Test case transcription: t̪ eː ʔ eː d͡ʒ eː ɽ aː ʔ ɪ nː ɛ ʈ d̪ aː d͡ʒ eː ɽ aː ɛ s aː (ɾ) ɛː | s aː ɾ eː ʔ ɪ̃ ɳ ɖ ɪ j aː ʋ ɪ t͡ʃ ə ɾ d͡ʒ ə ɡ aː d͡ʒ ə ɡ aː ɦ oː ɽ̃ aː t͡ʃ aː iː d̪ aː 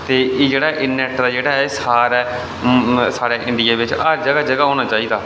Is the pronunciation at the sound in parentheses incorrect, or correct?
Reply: correct